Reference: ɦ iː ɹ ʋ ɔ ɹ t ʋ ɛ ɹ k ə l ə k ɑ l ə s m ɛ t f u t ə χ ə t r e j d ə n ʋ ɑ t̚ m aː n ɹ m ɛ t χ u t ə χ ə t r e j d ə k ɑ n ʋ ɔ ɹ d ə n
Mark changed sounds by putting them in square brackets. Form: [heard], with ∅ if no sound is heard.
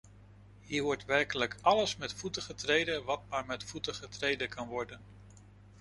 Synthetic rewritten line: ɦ iː ɹ ʋ ɔ ɹ t ʋ ɛ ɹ k ə l ə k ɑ l ə s m ɛ t f u t ə χ ə t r e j d ə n ʋ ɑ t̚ m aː [∅] ɹ m ɛ t [f] u t ə χ ə t r e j d ə k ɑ n ʋ ɔ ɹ d ə n